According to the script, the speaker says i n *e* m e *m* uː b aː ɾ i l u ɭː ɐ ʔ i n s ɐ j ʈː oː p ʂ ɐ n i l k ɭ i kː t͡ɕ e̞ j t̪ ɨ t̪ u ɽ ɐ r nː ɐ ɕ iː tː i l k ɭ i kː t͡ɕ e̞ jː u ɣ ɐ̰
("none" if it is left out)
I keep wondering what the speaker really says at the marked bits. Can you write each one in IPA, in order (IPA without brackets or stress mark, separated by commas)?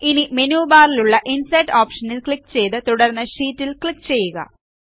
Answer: i, n